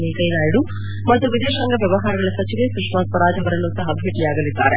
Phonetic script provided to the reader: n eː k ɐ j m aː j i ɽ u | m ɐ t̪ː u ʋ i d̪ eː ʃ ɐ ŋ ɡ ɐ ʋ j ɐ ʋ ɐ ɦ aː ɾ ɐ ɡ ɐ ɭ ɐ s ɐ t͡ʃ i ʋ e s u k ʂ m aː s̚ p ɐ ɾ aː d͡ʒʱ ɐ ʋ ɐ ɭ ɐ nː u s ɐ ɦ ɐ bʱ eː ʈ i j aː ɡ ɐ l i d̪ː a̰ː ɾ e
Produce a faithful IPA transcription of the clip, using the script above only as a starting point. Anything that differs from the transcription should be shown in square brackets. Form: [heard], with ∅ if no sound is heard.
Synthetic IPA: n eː k ɐ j [n] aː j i ɽ u | m ɐ t̪ː u ʋ i d̪ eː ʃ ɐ ŋ ɡ ɐ ʋ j ɐ ʋ ɐ ɦ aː ɾ ɐ ɡ ɐ ɭ ɐ s ɐ t͡ʃ i ʋ e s u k ʂ m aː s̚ p ɐ ɾ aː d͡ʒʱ ɐ ʋ ɐ [ɾ] ɐ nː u s ɐ ɦ ɐ bʱ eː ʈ i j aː ɡ ɐ l i d̪ː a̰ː ɾ e